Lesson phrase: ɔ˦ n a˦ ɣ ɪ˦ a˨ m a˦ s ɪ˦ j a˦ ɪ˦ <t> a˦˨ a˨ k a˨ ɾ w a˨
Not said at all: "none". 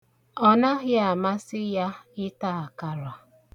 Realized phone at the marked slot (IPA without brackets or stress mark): t